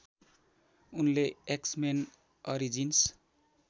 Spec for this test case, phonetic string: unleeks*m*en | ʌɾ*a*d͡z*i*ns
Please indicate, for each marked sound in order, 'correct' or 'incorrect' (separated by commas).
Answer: correct, incorrect, correct